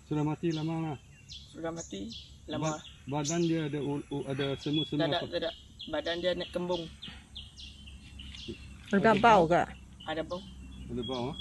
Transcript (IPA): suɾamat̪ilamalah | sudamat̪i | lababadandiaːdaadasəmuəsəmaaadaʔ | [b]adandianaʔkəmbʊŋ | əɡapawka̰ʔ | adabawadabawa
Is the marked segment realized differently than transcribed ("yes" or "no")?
no